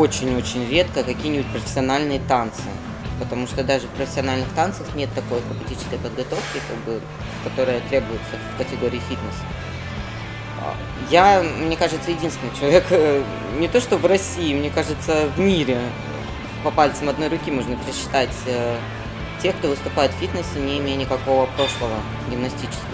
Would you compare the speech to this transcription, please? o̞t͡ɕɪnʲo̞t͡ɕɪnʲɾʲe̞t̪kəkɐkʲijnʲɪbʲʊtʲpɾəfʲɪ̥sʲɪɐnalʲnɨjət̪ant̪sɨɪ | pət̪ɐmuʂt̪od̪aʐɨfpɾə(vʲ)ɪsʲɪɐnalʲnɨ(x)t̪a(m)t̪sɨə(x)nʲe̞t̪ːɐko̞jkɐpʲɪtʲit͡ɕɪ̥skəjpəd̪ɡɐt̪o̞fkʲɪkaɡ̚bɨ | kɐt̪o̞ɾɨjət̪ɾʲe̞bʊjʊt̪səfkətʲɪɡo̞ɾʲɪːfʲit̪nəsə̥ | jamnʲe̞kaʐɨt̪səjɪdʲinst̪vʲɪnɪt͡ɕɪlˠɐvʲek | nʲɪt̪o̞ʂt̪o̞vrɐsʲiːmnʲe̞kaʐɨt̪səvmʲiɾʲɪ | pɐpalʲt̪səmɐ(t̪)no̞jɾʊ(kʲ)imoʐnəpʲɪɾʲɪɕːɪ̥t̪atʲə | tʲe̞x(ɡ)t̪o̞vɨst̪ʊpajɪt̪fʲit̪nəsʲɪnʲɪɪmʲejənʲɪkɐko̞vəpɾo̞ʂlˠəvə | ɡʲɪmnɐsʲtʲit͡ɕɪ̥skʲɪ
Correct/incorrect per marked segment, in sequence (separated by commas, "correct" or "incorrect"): incorrect, correct, incorrect, correct, incorrect, correct, incorrect